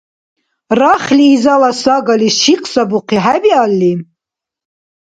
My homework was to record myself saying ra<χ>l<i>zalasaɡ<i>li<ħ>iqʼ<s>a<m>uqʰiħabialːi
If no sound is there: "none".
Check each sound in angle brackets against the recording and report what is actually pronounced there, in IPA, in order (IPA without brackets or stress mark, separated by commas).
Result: χ, iː, a, ʃ, s, b